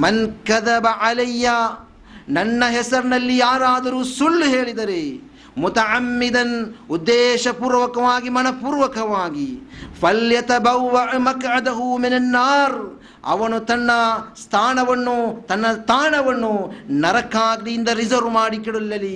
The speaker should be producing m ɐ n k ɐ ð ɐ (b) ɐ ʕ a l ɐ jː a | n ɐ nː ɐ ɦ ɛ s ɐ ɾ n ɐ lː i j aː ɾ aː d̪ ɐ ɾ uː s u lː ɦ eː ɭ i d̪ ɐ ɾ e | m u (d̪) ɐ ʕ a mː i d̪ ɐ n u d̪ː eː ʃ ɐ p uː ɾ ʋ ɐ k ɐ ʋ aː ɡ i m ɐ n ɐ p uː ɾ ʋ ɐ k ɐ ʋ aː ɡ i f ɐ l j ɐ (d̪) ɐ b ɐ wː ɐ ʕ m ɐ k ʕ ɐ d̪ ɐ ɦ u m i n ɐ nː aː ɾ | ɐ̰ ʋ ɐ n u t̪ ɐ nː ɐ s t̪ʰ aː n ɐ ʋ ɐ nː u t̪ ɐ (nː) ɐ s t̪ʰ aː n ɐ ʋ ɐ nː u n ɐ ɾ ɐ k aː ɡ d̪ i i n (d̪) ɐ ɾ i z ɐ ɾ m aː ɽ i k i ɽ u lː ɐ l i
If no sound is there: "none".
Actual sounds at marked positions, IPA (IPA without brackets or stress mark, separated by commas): b, t̪, t̪, nː, d̪